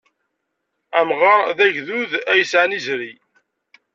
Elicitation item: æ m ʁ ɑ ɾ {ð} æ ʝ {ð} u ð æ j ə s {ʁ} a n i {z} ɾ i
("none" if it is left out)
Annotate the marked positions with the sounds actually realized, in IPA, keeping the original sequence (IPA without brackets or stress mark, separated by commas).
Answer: ð, ð, ʕ, z